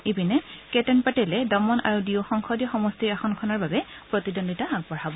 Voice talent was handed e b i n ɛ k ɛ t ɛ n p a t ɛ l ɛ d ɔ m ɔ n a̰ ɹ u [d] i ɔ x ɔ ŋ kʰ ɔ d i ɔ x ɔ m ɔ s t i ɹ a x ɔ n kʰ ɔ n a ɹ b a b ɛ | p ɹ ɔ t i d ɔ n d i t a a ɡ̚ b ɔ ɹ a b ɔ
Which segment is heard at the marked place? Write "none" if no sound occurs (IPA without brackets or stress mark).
d